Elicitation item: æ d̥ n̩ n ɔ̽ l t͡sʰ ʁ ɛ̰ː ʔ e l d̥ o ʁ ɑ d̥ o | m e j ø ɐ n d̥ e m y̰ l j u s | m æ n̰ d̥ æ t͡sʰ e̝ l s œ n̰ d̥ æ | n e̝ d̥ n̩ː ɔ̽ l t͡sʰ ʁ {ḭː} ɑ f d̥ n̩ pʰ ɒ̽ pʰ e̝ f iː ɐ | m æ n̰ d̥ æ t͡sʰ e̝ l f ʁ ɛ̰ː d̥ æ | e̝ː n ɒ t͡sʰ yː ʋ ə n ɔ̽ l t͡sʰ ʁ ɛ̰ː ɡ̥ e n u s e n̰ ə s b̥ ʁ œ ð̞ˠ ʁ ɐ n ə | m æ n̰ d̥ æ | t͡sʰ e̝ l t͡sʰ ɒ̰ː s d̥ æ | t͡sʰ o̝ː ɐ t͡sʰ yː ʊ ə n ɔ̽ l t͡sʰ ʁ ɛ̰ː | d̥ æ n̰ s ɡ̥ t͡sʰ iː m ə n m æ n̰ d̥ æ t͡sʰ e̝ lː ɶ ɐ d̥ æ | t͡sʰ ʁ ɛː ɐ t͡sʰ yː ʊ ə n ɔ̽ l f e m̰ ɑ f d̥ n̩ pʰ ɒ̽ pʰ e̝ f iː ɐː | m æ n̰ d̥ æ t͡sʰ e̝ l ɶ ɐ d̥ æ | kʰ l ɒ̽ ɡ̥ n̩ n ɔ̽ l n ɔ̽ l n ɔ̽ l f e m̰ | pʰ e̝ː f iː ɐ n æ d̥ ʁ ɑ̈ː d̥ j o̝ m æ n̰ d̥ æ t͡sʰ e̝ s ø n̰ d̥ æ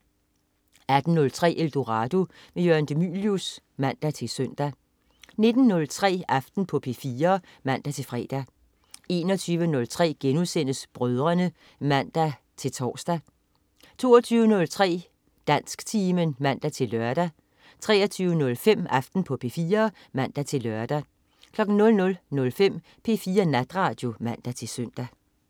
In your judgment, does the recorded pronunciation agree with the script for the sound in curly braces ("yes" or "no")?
no